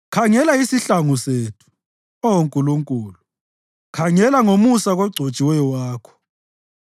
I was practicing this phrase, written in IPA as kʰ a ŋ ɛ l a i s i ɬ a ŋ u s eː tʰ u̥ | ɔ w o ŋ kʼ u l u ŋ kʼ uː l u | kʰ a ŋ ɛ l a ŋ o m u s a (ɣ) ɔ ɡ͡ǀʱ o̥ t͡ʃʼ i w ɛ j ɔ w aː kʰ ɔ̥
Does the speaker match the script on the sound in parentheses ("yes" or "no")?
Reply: yes